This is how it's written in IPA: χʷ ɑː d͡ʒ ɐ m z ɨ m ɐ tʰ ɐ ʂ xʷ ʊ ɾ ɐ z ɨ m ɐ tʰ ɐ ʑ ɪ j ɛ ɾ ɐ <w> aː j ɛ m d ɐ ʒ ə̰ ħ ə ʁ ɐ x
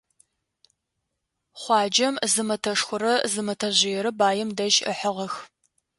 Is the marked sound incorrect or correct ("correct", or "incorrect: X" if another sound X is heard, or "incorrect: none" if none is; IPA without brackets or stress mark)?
incorrect: b